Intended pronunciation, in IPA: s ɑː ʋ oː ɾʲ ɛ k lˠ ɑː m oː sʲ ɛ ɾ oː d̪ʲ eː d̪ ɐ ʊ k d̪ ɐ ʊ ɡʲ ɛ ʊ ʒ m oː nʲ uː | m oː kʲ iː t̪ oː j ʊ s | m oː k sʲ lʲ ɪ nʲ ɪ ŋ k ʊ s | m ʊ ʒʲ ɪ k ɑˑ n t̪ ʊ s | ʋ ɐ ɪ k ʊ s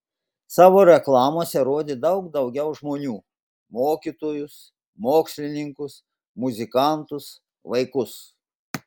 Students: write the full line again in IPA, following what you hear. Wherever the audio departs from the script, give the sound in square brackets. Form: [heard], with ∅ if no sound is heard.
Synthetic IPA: s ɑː ʋ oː ɾʲ ɛ k lˠ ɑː m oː sʲ ɛ ɾ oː d̪ʲ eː d̪ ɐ ʊ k d̪ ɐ ʊ ɡʲ ɛ ʊ ʒ m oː nʲ uː | m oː kʲ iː t̪ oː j ʊ s | m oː k sʲ lʲ ɪ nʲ ɪ ŋ k ʊ s | m ʊ [zʲ] ɪ k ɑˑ n t̪ ʊ s | ʋ ɐ ɪ k ʊ s

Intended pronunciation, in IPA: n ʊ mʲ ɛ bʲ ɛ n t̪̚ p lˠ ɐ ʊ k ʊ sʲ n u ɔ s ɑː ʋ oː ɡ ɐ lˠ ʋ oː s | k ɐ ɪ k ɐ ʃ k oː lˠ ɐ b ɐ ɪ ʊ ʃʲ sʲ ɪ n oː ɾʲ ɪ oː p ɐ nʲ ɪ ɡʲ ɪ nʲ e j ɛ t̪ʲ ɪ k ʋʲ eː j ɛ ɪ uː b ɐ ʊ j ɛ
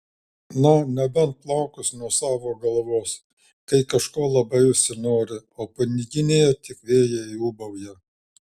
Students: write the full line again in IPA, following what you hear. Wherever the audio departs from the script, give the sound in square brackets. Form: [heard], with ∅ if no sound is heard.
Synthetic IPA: n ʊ [nʲ] ɛ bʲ ɛ n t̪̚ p lˠ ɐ ʊ k ʊ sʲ n u ɔ s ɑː ʋ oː ɡ ɐ lˠ ʋ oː s | k ɐ ɪ k ɐ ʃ k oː lˠ ɐ b ɐ ɪ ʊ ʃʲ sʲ ɪ n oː ɾʲ ɪ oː p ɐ nʲ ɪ ɡʲ ɪ nʲ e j ɛ t̪ʲ ɪ k ʋʲ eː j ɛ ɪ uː b ɐ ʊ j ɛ

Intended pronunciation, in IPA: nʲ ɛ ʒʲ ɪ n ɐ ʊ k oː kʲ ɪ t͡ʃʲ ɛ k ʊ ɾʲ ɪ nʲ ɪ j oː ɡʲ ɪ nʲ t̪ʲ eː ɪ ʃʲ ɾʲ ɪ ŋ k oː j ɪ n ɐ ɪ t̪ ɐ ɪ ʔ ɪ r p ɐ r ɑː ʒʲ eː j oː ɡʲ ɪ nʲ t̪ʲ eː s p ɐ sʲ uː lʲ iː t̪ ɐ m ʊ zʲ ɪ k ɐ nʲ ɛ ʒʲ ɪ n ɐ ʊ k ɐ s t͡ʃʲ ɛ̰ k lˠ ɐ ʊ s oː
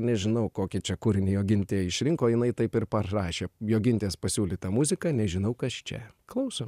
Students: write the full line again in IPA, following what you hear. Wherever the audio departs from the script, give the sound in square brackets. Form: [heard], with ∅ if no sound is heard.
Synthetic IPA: nʲ ɛ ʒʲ ɪ n ɐ ʊ k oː kʲ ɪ t͡ʃʲ ɛ k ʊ ɾʲ ɪ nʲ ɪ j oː ɡʲ ɪ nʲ t̪ʲ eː ɪ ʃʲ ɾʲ ɪ ŋ k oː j ɪ n ɐ ɪ t̪ ɐ ɪ [p] ɪ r p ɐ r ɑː [ʃʲ] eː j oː ɡʲ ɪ nʲ t̪ʲ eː s p ɐ sʲ uː lʲ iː t̪ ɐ m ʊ zʲ ɪ k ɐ nʲ ɛ ʒʲ ɪ n ɐ ʊ k ɐ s t͡ʃʲ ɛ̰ k lˠ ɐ ʊ s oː

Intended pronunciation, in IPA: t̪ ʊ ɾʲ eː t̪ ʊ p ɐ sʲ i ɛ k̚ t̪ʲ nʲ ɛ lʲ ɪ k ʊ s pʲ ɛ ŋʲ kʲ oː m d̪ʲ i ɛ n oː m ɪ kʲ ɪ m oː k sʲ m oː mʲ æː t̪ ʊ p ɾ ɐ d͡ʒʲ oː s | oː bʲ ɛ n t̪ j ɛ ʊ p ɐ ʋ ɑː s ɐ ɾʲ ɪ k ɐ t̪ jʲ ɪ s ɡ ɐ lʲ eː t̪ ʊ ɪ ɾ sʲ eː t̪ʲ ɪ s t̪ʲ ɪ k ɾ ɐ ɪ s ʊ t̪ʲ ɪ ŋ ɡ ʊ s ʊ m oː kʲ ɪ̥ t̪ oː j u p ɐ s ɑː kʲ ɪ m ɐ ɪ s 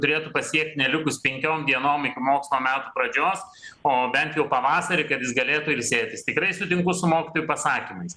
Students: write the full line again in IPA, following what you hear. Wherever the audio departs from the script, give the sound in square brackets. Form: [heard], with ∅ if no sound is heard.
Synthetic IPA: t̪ ʊ ɾʲ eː t̪ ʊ p ɐ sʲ i ɛ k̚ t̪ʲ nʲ ɛ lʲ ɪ k ʊ s pʲ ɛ ŋʲ kʲ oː m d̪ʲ i ɛ n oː m ɪ kʲ ɪ m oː k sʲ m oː mʲ æː t̪ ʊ p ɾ ɐ d͡ʒʲ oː s | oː bʲ ɛ n t̪ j ɛ ʊ p ɐ ʋ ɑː s ɐ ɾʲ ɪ k ɐ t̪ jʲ ɪ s ɡ ɐ lʲ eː t̪ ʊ ɪ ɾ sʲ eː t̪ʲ ɪ s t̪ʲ ɪ k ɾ ɐ ɪ s ʊ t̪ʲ ɪ ŋ [k] ʊ s ʊ m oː kʲ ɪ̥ t̪ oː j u p ɐ s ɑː kʲ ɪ m ɐ ɪ s

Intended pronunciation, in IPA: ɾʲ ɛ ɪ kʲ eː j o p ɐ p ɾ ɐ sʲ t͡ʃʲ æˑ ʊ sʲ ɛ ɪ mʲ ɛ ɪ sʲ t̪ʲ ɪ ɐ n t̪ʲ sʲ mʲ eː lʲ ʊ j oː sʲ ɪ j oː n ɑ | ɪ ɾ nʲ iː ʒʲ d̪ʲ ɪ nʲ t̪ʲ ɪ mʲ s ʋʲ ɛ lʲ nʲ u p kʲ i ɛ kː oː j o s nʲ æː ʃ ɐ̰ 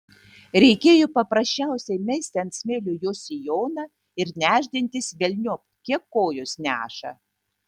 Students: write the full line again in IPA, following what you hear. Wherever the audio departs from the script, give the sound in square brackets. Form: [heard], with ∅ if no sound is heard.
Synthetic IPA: ɾʲ ɛ ɪ kʲ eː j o p ɐ p ɾ ɐ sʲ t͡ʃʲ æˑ ʊ sʲ ɛ ɪ mʲ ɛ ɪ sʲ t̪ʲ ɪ ɐ n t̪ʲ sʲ mʲ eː lʲ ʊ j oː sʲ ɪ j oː n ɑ | ɪ ɾ nʲ [æː] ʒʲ d̪ʲ ɪ nʲ t̪ʲ ɪ [∅] s ʋʲ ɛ lʲ nʲ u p kʲ i ɛ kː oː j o s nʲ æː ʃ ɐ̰

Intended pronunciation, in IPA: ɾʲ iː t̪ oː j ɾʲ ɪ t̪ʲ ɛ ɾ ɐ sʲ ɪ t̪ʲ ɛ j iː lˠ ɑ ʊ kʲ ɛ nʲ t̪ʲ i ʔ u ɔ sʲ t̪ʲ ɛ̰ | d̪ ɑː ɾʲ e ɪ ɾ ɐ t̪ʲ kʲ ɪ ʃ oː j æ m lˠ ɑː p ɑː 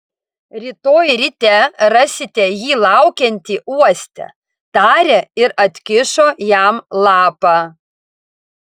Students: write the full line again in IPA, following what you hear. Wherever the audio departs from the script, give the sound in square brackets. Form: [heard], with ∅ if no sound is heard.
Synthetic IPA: ɾʲ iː t̪ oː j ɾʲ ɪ t̪ʲ ɛ ɾ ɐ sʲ ɪ t̪ʲ ɛ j iː lˠ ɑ ʊ kʲ ɛ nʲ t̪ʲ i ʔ u ɔ sʲ t̪ʲ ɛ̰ | [t̪] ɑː ɾʲ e ɪ ɾ ɐ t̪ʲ kʲ ɪ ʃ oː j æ m lˠ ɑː p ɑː

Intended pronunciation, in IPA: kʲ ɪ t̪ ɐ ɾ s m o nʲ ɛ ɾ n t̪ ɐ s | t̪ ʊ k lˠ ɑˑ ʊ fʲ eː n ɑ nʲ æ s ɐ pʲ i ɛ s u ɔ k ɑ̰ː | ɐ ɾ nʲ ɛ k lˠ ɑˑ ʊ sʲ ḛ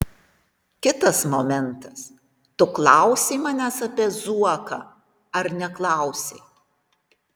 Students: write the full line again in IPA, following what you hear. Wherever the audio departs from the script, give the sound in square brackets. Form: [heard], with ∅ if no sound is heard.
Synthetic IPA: kʲ ɪ t̪ ɐ [∅] s m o [mʲ] ɛ [∅] n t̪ ɐ s | t̪ ʊ k lˠ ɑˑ ʊ [sʲ] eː [m] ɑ nʲ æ s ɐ pʲ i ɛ [z] u ɔ k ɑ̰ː | ɐ ɾ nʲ ɛ k lˠ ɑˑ ʊ sʲ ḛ

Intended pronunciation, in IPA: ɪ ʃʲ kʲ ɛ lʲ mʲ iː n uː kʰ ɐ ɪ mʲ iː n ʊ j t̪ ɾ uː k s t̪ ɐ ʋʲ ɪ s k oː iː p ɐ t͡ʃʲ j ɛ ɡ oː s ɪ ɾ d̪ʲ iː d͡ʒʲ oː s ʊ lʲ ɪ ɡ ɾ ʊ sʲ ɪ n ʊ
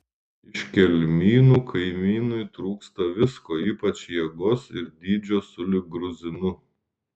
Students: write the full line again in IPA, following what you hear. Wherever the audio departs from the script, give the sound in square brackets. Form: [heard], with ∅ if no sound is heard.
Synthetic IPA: ɪ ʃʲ kʲ ɛ lʲ mʲ iː n uː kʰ ɐ ɪ mʲ iː n ʊ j t̪ ɾ uː k s t̪ ɐ ʋʲ ɪ s k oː iː p ɐ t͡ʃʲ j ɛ ɡ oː s ɪ ɾ d̪ʲ iː d͡ʒʲ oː s ʊ lʲ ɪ ɡ ɾ ʊ [zʲ] ɪ n ʊ

